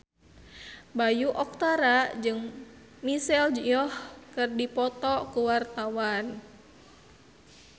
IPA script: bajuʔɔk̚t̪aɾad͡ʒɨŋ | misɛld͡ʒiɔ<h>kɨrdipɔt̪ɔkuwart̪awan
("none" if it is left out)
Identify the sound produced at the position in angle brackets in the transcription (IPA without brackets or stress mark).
h